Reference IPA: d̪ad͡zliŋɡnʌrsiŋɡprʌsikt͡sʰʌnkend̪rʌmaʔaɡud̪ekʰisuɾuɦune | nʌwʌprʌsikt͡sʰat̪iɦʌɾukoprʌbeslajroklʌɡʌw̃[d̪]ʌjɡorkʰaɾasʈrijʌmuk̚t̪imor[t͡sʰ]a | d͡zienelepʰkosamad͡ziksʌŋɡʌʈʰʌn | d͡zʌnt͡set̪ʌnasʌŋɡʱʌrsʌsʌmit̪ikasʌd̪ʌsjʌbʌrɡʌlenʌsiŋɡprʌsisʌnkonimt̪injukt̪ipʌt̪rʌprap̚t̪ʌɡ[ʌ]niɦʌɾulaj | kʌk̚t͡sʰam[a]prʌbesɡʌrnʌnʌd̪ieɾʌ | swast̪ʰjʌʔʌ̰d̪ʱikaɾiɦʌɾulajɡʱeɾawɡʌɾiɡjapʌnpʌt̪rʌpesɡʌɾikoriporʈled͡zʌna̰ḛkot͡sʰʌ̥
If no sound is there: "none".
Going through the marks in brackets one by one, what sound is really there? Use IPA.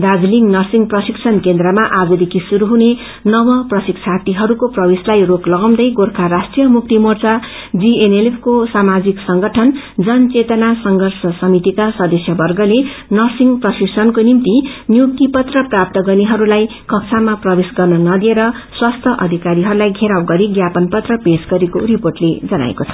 d̪, t͡s, ʌ, a

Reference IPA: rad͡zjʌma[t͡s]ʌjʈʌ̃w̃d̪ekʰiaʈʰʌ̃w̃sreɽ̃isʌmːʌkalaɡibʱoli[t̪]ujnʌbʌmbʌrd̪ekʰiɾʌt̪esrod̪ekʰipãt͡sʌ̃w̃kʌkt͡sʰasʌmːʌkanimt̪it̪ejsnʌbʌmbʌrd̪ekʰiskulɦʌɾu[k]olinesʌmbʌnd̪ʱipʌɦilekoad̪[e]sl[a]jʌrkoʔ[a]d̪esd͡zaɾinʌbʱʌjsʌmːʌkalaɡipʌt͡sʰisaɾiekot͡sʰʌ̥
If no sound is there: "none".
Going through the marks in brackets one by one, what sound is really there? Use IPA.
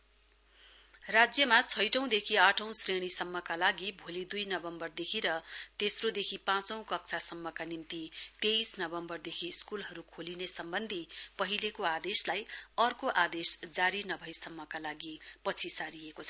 t͡sʰ, d̪, kʰ, e, a, a

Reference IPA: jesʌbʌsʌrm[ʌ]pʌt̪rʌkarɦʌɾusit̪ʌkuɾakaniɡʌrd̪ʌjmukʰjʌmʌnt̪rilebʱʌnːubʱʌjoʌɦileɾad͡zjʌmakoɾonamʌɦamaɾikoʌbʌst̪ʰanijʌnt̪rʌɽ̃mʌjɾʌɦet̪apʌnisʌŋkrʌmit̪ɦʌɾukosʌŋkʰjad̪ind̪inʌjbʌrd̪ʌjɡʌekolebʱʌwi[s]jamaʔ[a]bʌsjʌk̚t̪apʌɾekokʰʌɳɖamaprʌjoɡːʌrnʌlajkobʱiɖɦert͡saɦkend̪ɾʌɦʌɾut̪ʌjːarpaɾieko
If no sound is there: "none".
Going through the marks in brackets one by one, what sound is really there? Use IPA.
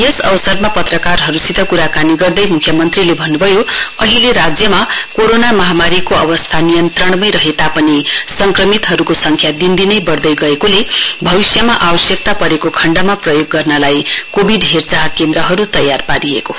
a, s, a

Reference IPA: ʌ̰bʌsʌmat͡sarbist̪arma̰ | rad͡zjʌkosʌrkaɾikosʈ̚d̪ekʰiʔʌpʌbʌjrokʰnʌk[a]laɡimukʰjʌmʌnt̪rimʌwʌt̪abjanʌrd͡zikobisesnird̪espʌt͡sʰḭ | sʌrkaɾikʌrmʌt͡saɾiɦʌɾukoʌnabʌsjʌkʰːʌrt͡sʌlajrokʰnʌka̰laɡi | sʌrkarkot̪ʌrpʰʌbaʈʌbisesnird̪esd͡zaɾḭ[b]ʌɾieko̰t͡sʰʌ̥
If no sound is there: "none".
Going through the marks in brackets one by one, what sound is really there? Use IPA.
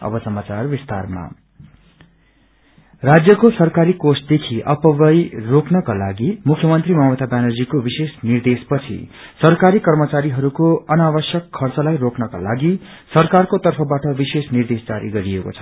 a, ɡ

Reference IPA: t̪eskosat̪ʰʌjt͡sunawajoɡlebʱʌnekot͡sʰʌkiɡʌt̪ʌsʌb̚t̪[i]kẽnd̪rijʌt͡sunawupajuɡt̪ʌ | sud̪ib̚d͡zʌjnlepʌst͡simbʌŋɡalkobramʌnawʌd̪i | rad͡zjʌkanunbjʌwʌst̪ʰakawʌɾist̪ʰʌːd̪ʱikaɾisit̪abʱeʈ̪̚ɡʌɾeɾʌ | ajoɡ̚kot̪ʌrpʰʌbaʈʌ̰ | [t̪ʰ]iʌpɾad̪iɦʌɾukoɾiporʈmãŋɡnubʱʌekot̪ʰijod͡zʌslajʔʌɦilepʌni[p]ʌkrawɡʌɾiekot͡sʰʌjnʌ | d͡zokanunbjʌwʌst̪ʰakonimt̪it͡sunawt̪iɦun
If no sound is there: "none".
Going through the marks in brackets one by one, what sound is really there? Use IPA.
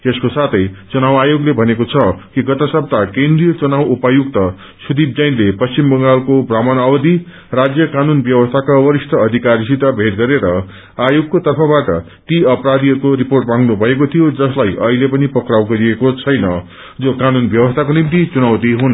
a, t̪, p

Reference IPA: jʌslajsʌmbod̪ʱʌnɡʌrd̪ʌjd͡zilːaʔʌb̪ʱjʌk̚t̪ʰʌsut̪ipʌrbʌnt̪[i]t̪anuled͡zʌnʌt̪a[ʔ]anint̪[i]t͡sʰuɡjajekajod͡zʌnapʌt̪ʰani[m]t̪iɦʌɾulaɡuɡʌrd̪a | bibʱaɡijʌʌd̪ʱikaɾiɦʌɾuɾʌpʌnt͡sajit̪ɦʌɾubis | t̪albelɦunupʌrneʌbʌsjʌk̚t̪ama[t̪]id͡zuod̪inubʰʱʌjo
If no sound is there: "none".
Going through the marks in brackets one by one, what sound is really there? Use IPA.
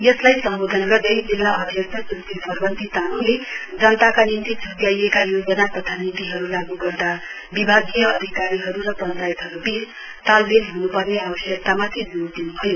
i, k, i, n, t̪ʰ

